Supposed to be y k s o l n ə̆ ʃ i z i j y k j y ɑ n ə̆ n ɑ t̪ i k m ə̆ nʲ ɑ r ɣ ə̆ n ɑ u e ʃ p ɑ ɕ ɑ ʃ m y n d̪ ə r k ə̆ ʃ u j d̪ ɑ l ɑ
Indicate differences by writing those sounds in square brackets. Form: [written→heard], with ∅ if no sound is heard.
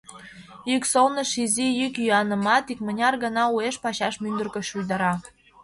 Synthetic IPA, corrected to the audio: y k s o l n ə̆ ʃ i z i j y k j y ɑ n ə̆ [n→m] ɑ t̪ i k m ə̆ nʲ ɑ r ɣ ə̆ n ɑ u e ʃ p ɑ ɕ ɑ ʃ m y n d̪ ə r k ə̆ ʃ u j d̪ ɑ [l→ɾ] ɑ